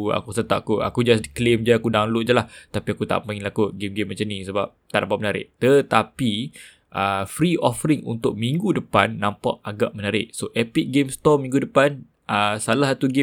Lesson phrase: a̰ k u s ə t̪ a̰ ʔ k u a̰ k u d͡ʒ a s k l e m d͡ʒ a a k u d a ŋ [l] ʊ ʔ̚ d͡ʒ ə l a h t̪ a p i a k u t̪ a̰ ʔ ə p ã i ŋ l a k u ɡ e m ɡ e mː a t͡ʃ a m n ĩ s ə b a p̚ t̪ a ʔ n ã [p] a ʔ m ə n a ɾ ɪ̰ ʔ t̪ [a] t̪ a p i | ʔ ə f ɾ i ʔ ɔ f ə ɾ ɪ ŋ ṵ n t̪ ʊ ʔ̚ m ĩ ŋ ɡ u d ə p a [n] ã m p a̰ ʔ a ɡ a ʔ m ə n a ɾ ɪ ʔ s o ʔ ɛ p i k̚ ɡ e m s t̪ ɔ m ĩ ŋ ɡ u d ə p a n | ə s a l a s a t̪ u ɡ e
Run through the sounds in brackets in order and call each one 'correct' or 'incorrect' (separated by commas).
correct, correct, incorrect, incorrect